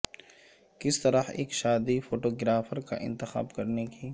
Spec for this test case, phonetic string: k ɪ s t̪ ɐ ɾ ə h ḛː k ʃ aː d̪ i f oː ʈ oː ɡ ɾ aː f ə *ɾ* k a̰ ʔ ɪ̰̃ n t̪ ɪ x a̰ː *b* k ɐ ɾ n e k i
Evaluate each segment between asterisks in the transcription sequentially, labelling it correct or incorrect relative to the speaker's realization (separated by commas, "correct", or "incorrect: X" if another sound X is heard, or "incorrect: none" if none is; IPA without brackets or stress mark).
correct, correct